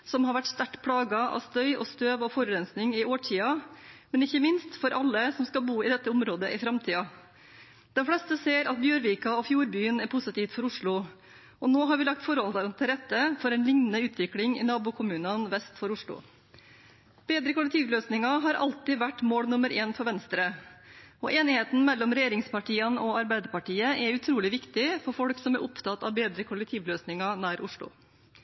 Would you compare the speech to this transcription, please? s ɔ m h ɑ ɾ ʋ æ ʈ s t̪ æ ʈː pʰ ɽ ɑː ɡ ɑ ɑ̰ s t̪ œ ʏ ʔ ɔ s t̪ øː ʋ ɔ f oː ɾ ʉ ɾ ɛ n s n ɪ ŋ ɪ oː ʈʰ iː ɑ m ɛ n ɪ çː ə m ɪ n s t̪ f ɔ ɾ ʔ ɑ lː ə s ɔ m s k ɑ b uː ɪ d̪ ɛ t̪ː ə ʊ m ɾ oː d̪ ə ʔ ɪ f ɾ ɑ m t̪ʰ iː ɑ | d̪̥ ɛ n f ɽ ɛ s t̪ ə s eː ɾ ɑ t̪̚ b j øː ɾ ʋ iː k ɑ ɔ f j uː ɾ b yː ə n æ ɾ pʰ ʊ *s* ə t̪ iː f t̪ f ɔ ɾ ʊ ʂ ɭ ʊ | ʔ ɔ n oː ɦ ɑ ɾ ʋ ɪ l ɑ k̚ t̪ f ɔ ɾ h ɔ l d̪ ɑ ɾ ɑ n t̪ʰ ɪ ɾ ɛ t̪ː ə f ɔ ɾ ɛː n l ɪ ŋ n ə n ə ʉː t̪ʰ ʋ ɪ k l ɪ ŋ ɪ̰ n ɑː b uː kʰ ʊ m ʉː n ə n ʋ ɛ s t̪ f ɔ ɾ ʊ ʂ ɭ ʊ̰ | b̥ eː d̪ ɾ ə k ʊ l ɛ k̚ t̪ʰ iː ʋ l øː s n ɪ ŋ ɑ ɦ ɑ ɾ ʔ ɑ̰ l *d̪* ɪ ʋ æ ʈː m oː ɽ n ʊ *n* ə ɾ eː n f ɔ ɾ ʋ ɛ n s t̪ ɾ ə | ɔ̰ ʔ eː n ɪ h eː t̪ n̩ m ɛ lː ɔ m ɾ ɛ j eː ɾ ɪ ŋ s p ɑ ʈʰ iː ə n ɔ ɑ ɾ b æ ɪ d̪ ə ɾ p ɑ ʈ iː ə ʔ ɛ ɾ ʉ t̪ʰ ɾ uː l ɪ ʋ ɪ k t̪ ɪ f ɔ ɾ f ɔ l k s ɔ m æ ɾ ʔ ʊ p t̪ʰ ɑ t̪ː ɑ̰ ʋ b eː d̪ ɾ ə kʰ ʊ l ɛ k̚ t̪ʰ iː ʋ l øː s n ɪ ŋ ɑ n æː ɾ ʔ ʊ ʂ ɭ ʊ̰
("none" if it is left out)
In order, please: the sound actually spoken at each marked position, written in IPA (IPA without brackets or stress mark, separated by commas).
s, t̪, m